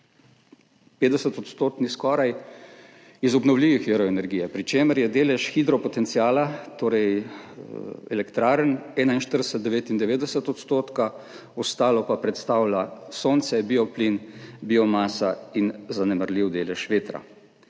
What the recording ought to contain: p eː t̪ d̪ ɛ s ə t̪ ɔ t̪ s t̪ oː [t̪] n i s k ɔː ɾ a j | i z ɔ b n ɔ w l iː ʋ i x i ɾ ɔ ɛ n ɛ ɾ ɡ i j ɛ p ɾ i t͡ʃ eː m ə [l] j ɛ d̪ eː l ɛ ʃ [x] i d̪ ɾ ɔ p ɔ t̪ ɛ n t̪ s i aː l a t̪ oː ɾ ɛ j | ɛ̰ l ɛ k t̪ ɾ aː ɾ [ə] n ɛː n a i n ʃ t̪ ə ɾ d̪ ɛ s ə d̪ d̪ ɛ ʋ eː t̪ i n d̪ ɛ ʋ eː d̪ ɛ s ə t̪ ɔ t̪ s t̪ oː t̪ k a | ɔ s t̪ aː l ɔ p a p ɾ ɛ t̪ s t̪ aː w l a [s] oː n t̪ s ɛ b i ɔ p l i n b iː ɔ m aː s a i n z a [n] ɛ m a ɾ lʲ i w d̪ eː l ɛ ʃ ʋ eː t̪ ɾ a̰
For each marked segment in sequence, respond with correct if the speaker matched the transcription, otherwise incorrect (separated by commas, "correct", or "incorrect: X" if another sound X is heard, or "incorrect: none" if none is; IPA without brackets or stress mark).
correct, incorrect: ɾ, correct, correct, correct, correct